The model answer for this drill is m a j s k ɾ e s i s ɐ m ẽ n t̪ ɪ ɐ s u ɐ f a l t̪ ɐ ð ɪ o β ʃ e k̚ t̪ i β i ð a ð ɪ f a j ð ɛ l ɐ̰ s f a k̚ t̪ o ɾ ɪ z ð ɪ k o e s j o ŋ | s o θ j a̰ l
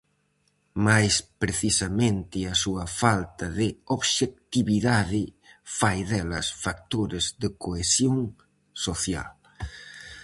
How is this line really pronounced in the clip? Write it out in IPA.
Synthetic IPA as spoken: m a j s p ɾ e θ i s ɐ m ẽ n t̪ ɪ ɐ s u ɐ f a l t̪ ɐ ð ɪ o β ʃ e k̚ t̪ i β i ð a ð ɪ f a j ð ɛ l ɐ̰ s f a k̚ t̪ o ɾ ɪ z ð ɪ k o e s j o ŋ | s o θ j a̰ l